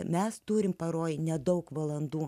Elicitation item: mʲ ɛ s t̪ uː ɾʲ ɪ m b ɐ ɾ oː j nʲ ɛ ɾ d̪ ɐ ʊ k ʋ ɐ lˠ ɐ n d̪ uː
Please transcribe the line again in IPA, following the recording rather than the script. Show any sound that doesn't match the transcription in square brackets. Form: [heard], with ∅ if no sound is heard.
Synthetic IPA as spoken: mʲ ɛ s t̪ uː ɾʲ ɪ m [p] ɐ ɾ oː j nʲ ɛ [∅] d̪ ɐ ʊ k ʋ ɐ lˠ ɐ n d̪ uː